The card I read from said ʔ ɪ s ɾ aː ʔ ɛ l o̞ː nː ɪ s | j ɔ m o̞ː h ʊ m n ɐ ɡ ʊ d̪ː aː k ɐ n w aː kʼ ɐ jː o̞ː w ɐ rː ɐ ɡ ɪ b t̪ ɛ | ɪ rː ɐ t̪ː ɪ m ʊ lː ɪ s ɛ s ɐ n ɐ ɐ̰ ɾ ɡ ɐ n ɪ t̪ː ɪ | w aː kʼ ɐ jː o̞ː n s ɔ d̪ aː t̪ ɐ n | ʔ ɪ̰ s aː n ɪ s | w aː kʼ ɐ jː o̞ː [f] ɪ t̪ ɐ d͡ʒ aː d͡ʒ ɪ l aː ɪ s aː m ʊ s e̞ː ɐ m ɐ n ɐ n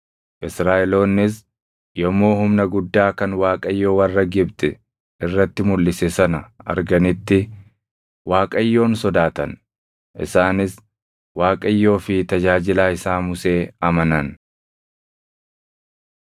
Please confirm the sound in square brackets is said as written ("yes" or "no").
yes